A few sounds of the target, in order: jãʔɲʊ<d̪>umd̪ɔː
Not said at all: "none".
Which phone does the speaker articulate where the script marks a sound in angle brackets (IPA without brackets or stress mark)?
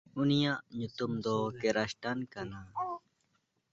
t̪